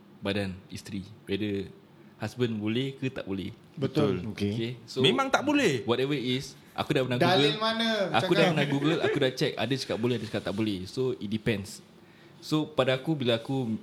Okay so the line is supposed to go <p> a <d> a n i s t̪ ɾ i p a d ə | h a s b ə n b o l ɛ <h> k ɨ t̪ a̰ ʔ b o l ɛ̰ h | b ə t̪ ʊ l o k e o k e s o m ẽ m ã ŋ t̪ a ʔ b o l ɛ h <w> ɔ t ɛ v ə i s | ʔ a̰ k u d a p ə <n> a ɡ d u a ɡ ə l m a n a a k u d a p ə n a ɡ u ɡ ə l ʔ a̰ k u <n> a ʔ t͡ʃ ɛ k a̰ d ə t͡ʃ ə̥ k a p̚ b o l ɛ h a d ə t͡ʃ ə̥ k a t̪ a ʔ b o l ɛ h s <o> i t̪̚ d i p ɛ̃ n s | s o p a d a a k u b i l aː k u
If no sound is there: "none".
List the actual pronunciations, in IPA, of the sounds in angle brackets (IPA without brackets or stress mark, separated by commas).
b, d, h, w, n, d, o